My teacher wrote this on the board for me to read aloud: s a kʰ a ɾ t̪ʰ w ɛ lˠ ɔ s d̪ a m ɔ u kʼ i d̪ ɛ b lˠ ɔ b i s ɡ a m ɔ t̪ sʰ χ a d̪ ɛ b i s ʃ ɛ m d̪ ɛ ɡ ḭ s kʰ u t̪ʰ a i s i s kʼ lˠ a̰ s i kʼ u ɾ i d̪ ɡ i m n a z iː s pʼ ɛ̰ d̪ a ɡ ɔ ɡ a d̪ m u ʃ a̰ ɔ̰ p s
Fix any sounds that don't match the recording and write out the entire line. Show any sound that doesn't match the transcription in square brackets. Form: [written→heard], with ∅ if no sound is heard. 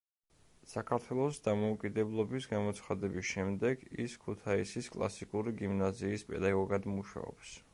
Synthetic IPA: s a kʰ a ɾ t̪ʰ w ɛ lˠ ɔ s d̪ a m ɔ u kʼ i d̪ ɛ b lˠ ɔ b i s ɡ a m ɔ t̪ sʰ χ a d̪ ɛ b i s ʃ ɛ m d̪ ɛ ɡ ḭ s kʰ u t̪ʰ a i s i s kʼ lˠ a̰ s i kʼ u ɾ i [d̪→∅] ɡ i m n a z iː s pʼ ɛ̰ d̪ a ɡ ɔ ɡ a d̪ m u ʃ a̰ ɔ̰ p s